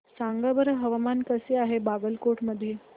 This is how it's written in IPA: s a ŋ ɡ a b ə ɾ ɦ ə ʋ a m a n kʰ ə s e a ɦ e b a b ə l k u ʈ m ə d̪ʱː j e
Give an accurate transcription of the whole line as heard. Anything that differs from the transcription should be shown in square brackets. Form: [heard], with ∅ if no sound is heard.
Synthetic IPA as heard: s a ŋ ɡ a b ə ɾ ɦ ə ʋ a m a n [k] ə s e a ɦ e b a b ə l k [o] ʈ m ə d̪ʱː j e